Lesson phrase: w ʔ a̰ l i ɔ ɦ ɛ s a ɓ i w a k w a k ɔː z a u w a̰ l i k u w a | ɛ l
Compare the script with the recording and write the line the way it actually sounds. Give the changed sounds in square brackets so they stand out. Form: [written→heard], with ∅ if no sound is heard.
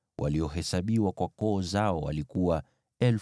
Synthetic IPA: w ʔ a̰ l i ɔ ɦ ɛ s a ɓ i w a k w a k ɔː z a [u→ɔ] w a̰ l i k u w a | ɛ l